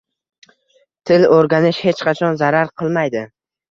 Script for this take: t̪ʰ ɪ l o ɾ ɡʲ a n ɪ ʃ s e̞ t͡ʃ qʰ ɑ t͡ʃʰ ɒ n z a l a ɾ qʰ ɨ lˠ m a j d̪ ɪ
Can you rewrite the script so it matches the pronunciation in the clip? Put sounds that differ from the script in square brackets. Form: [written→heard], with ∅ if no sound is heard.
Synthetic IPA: t̪ʰ ɪ l o ɾ ɡʲ a n ɪ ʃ [s→h] e̞ t͡ʃ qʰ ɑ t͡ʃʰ ɒ n z a [l→ɾ] a ɾ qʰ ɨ lˠ m a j d̪ ɪ

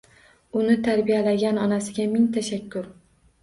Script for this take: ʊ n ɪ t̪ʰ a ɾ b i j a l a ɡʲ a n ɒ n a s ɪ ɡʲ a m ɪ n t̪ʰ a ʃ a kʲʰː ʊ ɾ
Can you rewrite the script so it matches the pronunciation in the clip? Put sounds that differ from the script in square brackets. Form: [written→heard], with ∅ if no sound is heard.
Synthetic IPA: ʊ n ɪ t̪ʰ a ɾ b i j a l a ɡʲ a n ɒ n a s ɪ ɡʲ a m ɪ [n→ŋ] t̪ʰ a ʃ a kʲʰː ʊ ɾ

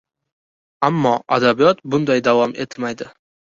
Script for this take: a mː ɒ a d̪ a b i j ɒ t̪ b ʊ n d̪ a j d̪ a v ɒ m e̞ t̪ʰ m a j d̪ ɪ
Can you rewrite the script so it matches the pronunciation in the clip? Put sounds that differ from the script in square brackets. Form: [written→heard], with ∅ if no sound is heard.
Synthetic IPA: a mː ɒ a d̪ a b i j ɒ t̪ b ʊ n d̪ a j d̪ a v ɒ m e̞ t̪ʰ m a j d̪ ɪ

